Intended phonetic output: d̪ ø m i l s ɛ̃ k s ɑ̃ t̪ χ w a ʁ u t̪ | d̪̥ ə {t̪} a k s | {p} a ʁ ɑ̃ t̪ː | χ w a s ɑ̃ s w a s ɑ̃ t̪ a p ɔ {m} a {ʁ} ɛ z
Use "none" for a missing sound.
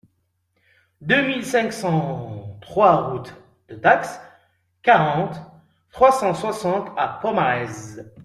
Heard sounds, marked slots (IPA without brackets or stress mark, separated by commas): t̪, k, m, ʁ